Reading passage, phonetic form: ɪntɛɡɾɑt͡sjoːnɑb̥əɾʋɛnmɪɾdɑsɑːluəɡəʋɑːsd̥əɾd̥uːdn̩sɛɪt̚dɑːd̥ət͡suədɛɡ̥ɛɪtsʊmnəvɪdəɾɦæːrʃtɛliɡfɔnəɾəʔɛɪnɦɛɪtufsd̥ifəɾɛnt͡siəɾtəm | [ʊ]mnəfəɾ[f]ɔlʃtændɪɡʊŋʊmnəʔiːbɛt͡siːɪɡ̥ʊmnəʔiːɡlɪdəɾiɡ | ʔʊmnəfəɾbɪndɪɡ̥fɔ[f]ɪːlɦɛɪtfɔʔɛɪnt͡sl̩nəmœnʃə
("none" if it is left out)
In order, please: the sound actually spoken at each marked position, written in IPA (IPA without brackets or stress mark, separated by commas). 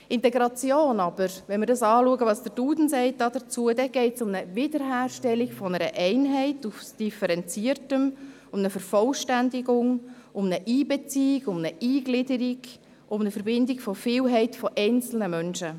ʊ, f, f